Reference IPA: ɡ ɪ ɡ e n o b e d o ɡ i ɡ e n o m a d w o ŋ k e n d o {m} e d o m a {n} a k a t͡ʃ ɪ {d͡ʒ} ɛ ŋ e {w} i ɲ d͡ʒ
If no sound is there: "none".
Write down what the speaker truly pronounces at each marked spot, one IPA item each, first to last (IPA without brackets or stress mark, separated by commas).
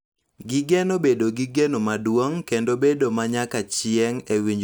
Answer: b, ɲ, none, w